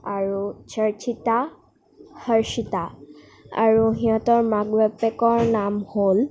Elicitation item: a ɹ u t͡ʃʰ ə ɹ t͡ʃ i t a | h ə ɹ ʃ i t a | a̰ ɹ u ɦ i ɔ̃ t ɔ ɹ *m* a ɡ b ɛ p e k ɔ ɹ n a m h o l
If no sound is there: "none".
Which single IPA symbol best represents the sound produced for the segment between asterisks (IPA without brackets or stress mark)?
m